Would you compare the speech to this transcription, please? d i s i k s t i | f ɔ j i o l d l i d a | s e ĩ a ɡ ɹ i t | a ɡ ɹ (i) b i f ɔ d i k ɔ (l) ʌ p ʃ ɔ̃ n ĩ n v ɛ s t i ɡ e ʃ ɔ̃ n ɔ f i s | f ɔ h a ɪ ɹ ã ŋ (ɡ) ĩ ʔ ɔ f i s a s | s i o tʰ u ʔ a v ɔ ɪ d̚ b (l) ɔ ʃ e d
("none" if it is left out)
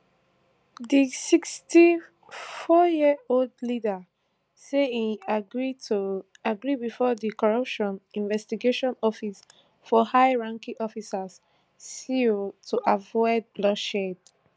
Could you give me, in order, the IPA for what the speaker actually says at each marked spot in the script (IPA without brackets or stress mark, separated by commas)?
i, ɹ, k, l